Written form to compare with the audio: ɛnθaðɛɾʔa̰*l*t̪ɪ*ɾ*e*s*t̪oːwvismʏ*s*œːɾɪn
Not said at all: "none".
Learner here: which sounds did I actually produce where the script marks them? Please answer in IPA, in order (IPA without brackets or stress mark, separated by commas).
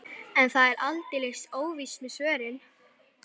l, l, s, s